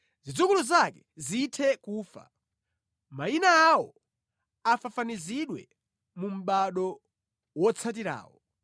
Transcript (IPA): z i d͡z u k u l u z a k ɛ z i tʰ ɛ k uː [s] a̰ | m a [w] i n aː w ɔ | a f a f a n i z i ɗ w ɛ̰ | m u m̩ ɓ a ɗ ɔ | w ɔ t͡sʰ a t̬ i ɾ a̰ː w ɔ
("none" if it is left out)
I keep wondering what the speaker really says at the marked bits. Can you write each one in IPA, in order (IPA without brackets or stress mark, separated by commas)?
f, none